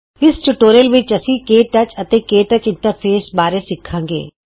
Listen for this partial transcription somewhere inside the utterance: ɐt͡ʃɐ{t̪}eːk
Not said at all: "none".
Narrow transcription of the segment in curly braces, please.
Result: t̪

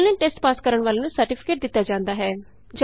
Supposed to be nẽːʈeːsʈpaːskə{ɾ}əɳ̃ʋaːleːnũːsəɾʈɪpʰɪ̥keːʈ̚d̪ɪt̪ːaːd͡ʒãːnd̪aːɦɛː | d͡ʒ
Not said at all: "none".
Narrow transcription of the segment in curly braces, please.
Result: ɾ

